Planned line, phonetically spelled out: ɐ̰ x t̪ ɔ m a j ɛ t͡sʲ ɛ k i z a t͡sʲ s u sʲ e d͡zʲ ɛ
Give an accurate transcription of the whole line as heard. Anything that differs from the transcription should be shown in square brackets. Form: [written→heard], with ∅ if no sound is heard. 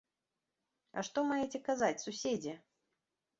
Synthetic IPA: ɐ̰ [x→ʂ] t̪ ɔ m a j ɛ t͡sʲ ɛ k [i→a] z a t͡sʲ s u sʲ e d͡zʲ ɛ